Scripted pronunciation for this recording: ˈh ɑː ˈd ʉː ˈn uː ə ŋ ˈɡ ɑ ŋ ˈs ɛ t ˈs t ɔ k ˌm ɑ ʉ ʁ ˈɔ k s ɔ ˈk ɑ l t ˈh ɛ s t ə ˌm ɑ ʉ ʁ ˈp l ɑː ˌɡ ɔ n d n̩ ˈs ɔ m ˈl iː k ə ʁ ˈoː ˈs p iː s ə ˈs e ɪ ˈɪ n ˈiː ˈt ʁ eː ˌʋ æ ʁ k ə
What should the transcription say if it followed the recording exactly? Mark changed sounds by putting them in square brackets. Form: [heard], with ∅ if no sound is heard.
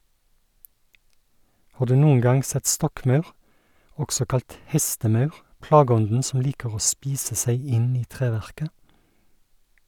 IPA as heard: ˈh ɑː ˈd ʉː ˈn uː ə ŋ ˈɡ ɑ ŋ ˈs ɛ t ˈs t ɔ k ˌm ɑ ʉ ʁ ˈɔ k s ɔ ˈk ɑ l t ˈh ɛ s t ə ˌm ɑ ʉ ʁ ˈp l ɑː ˌɡ ɔ n d n̩ ˈs ɔ m ˈl iː k ə ʁ ˈoː ˈs p iː s ə ˈs [æ] ɪ ˈɪ n ˈiː ˈt ʁ eː ˌʋ æ ʁ k ə